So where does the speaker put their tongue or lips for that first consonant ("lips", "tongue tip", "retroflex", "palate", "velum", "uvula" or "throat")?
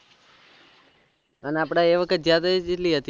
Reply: tongue tip